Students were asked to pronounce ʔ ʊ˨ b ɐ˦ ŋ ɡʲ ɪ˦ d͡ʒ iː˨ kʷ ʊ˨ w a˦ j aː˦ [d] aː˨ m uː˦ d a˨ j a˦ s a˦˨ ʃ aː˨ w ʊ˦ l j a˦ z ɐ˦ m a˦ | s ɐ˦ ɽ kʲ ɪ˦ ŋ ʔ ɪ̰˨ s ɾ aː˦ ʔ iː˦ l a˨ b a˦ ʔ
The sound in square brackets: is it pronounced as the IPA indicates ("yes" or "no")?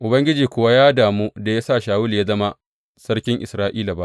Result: yes